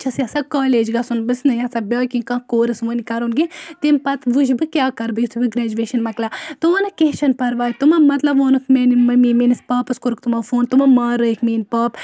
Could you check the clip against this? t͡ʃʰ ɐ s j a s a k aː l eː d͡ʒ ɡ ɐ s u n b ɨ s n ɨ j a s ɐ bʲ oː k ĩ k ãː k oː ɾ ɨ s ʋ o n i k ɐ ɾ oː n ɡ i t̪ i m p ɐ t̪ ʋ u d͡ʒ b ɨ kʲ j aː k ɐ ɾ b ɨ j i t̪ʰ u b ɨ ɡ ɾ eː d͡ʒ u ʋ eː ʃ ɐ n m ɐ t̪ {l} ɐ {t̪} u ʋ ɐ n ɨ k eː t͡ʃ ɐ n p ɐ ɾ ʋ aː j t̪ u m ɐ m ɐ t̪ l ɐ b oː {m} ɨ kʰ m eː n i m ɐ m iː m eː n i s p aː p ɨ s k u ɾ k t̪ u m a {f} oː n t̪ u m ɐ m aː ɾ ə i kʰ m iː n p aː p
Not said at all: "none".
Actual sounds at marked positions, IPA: l, t̪, n, f

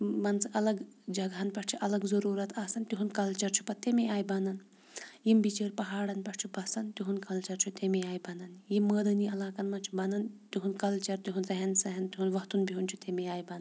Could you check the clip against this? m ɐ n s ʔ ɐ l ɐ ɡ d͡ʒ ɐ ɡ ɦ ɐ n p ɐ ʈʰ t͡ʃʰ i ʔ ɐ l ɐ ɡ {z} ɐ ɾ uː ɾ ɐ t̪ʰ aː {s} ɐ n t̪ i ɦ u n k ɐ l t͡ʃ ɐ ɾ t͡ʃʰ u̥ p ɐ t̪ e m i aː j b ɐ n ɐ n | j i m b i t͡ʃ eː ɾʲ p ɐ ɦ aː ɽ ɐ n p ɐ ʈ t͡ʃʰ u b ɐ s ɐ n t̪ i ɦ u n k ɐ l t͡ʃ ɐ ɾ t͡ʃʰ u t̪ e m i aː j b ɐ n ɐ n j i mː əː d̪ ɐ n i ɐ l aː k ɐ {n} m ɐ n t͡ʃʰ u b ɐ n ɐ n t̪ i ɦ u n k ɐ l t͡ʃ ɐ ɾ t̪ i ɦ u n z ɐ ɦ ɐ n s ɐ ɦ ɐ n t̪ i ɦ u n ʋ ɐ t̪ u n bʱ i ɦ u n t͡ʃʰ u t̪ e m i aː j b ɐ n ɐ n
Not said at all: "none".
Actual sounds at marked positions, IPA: z, s, n

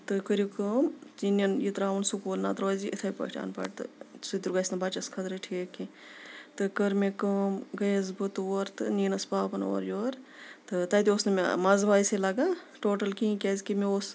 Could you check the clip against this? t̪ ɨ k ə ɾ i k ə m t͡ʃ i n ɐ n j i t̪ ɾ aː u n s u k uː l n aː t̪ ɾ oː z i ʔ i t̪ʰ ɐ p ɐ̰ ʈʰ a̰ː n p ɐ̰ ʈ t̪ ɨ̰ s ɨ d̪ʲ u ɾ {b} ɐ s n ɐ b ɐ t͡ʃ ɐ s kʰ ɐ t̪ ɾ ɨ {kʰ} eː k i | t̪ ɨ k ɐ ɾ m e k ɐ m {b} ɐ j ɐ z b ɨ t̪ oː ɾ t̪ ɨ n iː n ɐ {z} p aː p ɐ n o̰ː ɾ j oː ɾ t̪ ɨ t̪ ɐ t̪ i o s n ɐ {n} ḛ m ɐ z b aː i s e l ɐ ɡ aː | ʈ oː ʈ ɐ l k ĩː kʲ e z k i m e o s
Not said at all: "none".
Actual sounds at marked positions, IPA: ɡ, ʈʰ, ɡ, s, m

